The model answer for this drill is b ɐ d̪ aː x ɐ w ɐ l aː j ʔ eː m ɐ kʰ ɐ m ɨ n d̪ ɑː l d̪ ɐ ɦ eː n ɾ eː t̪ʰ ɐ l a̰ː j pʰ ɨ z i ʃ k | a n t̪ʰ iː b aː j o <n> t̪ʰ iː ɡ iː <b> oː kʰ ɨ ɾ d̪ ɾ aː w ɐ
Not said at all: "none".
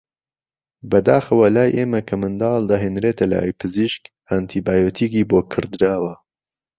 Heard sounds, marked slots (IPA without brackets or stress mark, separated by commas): none, b